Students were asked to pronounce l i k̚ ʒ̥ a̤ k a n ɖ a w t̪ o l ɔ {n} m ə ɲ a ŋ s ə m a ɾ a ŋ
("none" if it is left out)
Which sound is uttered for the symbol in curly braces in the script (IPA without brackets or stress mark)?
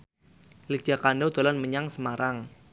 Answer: n